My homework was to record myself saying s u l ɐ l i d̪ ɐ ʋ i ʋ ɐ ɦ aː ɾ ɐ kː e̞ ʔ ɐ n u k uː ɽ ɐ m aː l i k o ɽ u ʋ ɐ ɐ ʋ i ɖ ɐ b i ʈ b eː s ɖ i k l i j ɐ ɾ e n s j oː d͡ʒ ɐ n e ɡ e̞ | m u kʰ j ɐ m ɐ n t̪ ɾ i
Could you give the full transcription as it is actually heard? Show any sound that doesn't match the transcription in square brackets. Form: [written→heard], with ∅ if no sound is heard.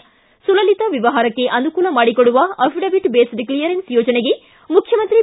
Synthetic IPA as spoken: s u l ɐ l i [d̪→t̪] ɐ ʋ i ʋ ɐ ɦ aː ɾ ɐ kː e̞ ʔ ɐ n u k uː [ɽ→l] ɐ m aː [l→ɽ] i k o ɽ u ʋ ɐ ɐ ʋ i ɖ ɐ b i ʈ b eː s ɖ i k l i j ɐ ɾ e n s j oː d͡ʒ ɐ n e ɡ e̞ | m u kʰ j ɐ m ɐ n t̪ ɾ i